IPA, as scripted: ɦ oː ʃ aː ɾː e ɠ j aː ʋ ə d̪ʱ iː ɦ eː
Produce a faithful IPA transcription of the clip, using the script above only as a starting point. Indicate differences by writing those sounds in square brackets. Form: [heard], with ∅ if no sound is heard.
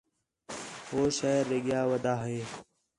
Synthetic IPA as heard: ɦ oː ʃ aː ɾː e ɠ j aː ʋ ə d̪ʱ [aː] ɦ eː